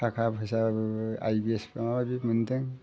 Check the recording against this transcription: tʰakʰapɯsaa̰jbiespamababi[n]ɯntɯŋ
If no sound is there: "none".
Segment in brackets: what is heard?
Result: m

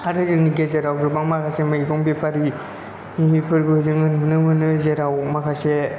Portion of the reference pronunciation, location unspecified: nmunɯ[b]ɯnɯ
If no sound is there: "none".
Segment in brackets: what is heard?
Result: m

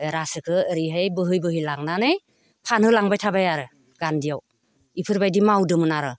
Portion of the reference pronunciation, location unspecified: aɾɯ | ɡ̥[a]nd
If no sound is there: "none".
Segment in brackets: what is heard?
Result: a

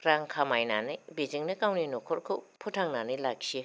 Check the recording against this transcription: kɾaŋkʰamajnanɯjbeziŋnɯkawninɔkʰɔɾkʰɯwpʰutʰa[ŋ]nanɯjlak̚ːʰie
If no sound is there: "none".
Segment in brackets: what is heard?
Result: ŋ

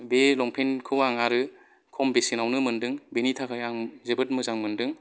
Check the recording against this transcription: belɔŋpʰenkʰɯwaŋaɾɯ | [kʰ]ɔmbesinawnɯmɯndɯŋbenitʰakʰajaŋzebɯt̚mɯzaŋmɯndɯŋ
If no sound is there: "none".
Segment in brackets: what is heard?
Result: kʰ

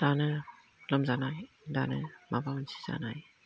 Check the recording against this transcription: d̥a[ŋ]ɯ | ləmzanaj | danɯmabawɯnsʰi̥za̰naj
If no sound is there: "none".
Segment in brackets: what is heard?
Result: n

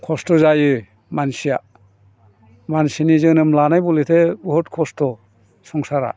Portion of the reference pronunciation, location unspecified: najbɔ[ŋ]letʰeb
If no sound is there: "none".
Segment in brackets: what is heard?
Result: none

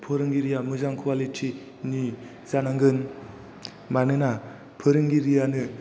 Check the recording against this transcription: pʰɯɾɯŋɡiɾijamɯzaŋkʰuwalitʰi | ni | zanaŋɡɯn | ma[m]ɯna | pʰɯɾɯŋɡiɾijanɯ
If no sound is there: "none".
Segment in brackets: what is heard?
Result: n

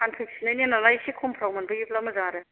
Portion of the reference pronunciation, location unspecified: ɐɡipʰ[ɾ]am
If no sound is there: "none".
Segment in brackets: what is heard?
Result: l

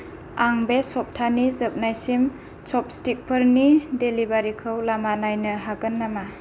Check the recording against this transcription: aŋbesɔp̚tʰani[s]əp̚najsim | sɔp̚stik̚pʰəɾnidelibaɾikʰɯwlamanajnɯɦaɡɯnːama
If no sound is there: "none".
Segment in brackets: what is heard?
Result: z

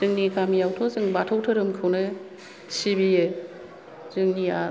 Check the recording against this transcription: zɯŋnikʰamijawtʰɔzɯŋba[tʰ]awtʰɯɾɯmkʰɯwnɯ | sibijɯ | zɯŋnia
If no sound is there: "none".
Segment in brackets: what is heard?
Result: tʰ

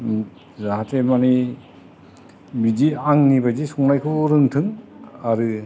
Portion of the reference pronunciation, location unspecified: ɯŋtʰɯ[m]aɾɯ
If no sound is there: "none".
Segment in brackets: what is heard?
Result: ŋ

